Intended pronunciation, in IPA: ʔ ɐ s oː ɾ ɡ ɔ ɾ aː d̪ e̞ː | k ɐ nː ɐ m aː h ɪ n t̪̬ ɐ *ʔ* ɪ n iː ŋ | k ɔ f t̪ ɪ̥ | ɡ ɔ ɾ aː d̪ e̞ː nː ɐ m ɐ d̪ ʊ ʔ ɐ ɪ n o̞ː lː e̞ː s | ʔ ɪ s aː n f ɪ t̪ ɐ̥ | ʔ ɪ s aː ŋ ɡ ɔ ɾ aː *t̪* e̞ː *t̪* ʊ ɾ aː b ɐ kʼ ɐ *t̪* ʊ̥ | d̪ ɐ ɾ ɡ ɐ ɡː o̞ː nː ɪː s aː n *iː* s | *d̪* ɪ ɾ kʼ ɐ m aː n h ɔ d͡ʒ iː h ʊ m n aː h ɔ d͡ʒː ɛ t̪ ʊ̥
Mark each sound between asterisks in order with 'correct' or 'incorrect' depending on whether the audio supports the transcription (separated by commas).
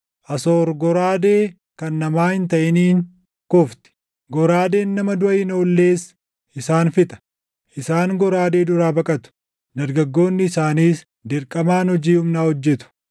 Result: correct, incorrect, incorrect, correct, correct, correct